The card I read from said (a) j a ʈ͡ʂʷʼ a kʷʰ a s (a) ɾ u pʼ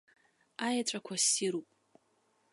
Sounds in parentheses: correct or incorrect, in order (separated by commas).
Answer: correct, incorrect